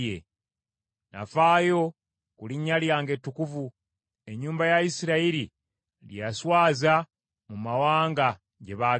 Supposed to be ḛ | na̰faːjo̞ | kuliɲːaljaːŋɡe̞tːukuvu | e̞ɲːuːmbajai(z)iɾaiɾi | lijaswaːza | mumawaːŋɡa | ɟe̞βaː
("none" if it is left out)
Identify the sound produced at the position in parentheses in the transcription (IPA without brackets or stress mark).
s